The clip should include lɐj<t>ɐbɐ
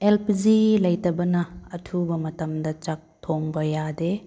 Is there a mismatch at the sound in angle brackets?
no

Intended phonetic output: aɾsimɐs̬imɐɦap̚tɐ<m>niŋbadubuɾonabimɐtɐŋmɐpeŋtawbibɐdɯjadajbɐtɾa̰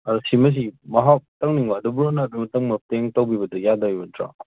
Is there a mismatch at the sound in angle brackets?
yes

